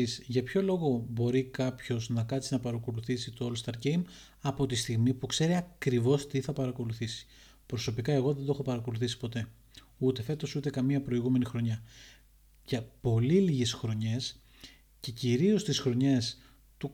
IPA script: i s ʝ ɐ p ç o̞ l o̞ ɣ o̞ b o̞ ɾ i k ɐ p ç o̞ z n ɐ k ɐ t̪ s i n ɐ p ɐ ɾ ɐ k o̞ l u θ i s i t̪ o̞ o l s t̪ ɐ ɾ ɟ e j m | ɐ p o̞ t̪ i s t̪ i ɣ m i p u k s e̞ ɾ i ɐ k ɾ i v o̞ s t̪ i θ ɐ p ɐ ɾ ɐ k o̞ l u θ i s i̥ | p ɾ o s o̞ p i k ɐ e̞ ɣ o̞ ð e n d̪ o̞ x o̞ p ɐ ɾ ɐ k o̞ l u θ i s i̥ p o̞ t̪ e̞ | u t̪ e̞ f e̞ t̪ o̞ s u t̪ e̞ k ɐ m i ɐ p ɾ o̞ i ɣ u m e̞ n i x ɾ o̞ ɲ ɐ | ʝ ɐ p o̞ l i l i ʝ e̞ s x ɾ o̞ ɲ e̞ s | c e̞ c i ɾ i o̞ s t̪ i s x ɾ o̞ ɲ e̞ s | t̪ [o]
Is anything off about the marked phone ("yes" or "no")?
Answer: yes